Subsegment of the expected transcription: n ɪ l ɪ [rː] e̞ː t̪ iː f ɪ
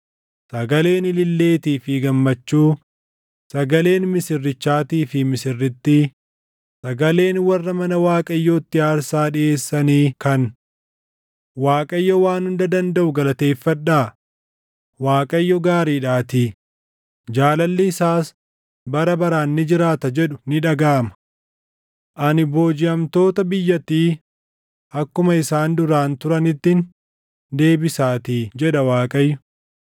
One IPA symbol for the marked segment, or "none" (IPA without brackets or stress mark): lː